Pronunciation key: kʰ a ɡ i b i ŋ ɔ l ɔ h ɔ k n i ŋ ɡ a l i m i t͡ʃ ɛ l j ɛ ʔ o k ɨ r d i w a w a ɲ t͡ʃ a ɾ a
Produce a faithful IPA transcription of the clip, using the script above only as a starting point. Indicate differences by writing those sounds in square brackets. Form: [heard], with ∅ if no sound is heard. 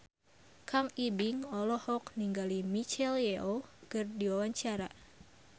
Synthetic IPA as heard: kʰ a [ŋ] i b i ŋ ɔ l ɔ h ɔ k n i ŋ ɡ a l i m i t͡ʃ ɛ l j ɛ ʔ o k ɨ r d i w a w a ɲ t͡ʃ a ɾ a